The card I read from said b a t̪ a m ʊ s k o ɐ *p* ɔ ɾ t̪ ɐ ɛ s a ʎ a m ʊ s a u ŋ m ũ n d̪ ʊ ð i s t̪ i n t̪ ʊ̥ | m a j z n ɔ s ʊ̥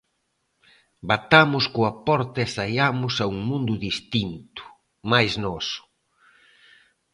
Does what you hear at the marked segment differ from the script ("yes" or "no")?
no